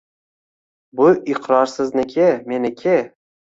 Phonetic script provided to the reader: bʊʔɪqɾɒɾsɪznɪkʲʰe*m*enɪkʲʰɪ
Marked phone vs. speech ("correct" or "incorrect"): correct